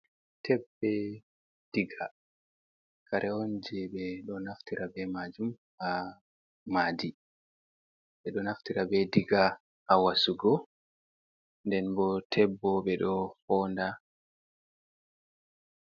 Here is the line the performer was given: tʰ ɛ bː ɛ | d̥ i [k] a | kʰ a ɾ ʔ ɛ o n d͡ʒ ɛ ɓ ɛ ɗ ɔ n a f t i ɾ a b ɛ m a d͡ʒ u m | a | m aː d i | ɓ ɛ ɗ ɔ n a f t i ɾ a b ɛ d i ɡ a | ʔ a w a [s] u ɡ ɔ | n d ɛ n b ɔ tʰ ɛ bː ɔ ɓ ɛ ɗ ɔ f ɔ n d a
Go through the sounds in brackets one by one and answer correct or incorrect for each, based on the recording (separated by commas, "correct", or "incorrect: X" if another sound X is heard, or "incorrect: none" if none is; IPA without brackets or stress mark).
incorrect: ɡ, correct